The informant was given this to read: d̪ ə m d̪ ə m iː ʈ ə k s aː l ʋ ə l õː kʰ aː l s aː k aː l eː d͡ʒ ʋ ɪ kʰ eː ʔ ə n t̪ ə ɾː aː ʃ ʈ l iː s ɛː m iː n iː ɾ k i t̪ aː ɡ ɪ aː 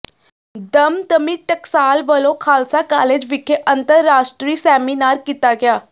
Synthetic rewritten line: d̪ ə m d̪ ə m iː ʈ ə k s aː l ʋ ə l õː kʰ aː l s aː k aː l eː d͡ʒ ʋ ɪ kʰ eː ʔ ə n t̪ ə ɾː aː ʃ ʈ ɾ iː s ɛː m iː n aː ɾ k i t̪ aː ɡ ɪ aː